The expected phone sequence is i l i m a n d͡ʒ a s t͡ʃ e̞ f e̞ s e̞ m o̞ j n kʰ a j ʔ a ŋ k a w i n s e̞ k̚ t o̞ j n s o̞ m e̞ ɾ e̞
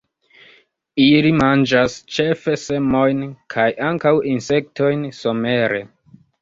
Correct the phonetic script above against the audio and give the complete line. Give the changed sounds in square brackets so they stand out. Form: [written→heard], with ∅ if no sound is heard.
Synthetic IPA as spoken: i l i m a n d͡ʒ a s t͡ʃ e̞ f e̞ s e̞ m o̞ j n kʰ a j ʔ a ŋ k a w i n s e̞ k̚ t o̞ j n s o̞ m e̞ ɾ e̞